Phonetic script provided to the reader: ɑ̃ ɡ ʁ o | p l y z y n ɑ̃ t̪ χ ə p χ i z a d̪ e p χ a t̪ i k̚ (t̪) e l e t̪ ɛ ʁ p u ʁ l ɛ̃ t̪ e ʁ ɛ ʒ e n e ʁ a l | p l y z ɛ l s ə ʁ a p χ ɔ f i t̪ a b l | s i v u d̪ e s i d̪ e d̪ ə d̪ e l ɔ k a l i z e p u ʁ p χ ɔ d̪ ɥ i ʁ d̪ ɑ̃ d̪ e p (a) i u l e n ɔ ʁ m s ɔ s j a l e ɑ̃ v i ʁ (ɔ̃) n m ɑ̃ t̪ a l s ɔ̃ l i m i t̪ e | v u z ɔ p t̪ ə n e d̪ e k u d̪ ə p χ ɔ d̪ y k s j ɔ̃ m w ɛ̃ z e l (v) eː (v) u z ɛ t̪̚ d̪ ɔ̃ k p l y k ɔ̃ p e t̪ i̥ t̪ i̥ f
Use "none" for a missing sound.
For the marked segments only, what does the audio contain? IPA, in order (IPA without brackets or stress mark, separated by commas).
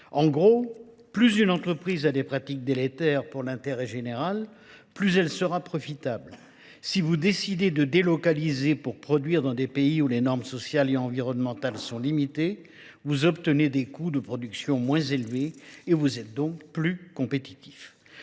d̪, e, ɔ, v, v